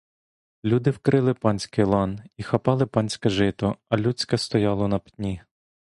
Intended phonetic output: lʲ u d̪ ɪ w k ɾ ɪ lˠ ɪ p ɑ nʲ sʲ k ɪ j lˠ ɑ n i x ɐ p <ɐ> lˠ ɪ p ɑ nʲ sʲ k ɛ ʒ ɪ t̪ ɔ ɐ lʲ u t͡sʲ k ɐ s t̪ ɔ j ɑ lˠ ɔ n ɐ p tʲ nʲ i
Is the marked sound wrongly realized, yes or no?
yes